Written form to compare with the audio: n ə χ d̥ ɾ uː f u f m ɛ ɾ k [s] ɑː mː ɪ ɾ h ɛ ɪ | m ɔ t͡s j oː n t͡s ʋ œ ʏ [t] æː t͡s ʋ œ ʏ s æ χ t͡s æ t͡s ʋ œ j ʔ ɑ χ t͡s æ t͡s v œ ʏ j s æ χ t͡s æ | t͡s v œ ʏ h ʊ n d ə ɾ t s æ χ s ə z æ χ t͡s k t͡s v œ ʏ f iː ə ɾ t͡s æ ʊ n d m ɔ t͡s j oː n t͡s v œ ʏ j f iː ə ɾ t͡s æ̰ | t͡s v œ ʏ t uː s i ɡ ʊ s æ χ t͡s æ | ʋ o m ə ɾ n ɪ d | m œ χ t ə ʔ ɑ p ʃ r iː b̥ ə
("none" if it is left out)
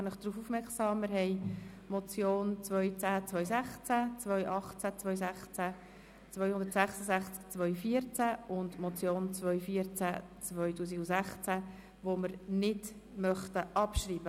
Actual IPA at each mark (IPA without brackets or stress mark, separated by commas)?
s, t͡s